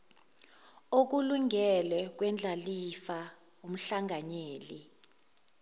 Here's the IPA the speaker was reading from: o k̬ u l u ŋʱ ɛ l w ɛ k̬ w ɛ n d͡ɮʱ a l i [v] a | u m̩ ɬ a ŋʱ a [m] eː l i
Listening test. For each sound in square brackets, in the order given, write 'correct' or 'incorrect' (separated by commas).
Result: incorrect, incorrect